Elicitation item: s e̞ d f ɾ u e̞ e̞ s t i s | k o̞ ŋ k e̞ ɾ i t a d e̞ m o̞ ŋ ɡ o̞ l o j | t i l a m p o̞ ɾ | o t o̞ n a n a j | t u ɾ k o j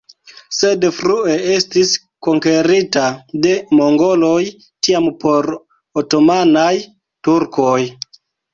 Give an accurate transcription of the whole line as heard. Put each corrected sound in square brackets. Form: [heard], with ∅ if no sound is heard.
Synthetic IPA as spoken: s e̞ d f ɾ u e̞ e̞ s t i s | k o̞ ŋ k e̞ ɾ i t a d e̞ m o̞ ŋ ɡ o̞ l o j | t i [∅] a m p o̞ ɾ | o t o̞ [m] a n a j | t u ɾ k o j